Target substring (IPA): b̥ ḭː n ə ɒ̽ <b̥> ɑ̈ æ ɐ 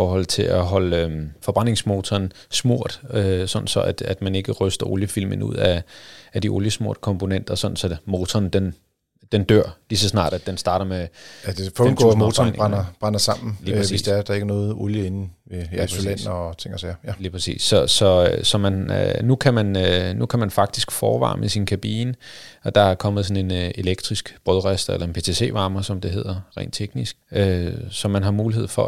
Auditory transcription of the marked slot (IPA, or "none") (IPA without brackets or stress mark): d̥